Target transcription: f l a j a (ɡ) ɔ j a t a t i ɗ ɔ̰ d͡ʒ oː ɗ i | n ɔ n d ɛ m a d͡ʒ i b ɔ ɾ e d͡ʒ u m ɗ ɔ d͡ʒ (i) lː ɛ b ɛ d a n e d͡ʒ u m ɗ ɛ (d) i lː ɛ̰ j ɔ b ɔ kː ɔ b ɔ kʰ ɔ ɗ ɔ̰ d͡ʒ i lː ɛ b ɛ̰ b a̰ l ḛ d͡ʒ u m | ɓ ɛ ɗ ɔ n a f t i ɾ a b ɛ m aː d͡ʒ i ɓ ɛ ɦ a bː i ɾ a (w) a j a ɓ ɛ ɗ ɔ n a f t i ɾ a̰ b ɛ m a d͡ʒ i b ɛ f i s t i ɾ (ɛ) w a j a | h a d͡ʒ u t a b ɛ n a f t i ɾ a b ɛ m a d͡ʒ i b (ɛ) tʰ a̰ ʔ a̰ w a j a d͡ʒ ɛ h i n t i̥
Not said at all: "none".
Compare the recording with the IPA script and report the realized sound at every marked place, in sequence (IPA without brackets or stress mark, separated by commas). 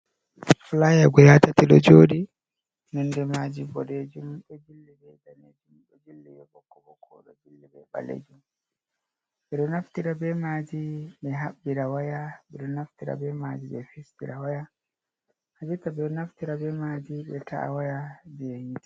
ɡ, i, d͡ʒ, w, a, ɛ